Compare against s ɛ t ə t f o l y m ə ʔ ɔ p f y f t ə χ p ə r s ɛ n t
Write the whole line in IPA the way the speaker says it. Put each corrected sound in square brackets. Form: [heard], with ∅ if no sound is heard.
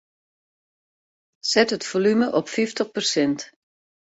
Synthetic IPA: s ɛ t ə t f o l y m ə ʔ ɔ p f [i] f t ə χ p ə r s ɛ n t